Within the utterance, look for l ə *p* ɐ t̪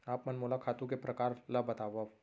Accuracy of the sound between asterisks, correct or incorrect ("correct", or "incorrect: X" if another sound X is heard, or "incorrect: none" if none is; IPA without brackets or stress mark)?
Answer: incorrect: b